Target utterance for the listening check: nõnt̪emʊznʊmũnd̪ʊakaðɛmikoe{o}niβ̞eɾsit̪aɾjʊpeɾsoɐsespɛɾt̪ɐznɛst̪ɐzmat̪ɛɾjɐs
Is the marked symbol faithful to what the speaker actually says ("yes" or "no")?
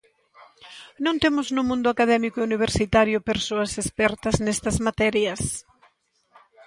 no